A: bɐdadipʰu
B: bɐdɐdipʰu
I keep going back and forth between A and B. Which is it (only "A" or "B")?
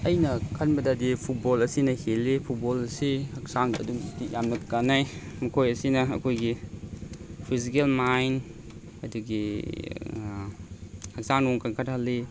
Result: A